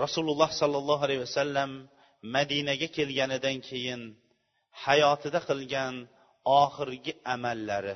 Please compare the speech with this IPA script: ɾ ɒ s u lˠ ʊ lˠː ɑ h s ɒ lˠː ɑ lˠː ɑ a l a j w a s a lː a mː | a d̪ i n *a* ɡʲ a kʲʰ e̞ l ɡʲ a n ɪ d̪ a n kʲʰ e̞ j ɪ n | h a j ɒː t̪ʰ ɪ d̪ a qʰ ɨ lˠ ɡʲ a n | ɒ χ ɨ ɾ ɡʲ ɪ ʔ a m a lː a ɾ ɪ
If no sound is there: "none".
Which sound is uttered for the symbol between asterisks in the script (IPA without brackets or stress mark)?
a